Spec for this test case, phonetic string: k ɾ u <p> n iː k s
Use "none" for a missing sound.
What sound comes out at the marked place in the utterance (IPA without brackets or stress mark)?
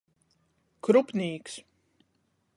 p